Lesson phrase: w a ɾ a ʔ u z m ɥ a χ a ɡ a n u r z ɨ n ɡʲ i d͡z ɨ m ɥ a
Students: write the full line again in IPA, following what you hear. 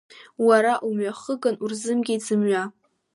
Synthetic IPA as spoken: w a ɾ a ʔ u m ɥ a χ ə ɡ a n u r z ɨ m ɡʲ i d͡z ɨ m ɥ a